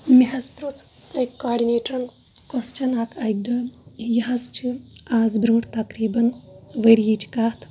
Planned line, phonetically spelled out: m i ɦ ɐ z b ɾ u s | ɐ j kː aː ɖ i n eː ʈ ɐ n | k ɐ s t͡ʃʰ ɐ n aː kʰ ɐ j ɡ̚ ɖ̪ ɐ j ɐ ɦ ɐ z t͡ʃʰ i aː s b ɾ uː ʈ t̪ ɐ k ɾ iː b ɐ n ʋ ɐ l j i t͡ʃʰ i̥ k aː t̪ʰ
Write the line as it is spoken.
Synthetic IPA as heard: m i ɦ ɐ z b ɾ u t͡s | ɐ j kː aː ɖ i n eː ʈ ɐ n | k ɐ s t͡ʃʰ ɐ n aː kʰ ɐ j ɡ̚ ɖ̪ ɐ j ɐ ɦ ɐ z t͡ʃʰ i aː z b ɾ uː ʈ t̪ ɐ k ɾ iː b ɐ n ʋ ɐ ɾ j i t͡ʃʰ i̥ k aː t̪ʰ

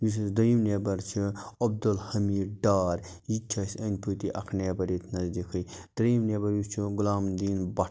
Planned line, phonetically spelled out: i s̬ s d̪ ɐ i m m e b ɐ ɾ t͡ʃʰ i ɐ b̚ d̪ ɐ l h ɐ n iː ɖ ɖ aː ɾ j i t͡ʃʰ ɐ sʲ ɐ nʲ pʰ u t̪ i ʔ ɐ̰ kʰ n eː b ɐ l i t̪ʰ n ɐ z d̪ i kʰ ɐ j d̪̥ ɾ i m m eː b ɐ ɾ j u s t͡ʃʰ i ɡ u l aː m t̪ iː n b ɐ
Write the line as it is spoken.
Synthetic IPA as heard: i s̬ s d̪ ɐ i m n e b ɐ ɾ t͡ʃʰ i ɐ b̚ d̪ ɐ l h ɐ m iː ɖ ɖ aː ɾ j i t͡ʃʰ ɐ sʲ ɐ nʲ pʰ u t̪ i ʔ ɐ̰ kʰ n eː b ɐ ɾ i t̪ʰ n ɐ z d̪ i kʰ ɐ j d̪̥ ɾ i m n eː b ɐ ɾ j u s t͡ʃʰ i ɡ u l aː m d̪ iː n b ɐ

